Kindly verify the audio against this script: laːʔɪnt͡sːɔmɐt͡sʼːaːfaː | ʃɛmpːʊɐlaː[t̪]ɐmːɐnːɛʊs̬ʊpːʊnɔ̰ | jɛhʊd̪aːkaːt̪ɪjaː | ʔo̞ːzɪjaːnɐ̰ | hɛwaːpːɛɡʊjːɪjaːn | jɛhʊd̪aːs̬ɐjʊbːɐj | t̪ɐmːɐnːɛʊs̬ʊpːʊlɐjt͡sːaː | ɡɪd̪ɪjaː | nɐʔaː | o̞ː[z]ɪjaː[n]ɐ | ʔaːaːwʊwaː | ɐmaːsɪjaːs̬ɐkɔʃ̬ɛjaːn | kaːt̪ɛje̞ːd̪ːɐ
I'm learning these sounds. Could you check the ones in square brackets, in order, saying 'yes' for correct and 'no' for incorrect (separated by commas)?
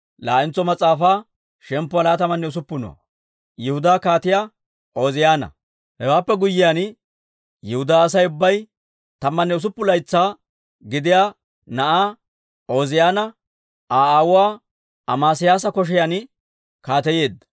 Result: yes, yes, yes